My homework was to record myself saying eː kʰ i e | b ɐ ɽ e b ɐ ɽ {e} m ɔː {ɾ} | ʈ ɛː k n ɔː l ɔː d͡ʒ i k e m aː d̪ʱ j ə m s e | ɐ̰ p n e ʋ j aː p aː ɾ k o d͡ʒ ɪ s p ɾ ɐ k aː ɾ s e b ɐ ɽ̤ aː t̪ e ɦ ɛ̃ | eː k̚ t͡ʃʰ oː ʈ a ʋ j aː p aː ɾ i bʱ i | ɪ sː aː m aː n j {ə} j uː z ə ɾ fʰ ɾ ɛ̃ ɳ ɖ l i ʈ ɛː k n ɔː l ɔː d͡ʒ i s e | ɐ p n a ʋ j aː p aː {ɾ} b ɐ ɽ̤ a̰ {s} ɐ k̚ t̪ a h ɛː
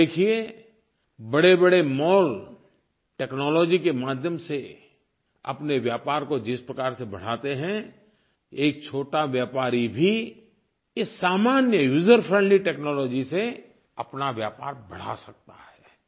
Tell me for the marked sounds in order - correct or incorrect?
correct, incorrect: l, correct, correct, correct

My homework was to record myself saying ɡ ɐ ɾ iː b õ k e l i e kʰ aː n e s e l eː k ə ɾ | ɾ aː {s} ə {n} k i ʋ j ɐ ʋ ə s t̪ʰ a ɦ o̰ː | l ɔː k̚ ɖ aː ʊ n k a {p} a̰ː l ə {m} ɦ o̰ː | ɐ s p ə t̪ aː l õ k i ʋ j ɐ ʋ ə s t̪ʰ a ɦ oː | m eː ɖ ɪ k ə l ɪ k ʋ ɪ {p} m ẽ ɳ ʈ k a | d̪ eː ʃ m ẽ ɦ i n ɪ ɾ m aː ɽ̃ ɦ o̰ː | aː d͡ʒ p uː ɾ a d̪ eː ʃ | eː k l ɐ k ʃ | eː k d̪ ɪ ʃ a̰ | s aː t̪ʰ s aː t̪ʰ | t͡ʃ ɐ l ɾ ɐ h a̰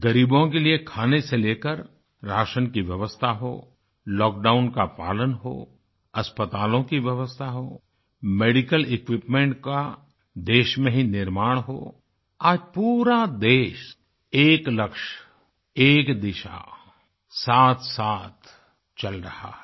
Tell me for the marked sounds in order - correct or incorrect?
incorrect: ʃ, correct, correct, incorrect: n, correct

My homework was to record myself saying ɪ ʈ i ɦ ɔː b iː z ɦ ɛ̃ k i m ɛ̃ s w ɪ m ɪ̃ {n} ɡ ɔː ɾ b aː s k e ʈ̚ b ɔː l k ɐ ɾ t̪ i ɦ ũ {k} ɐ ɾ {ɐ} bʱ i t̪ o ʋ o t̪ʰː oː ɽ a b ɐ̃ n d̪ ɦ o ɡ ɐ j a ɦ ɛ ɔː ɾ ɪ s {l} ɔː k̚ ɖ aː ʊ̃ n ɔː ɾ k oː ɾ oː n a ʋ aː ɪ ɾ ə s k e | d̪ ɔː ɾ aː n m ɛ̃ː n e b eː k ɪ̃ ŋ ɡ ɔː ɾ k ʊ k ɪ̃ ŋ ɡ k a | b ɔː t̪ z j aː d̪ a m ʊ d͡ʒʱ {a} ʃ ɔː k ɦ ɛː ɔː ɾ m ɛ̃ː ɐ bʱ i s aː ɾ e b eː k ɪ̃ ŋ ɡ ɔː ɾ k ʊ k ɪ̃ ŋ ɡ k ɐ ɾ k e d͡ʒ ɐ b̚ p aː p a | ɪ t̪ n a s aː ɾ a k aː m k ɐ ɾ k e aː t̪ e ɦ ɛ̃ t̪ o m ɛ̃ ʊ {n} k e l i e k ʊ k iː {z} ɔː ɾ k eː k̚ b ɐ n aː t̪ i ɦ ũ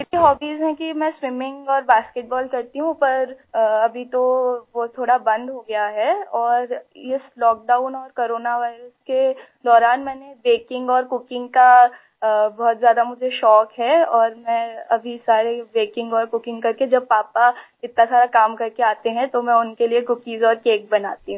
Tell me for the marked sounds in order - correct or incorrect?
incorrect: ŋ, incorrect: p, correct, correct, incorrect: e, correct, correct

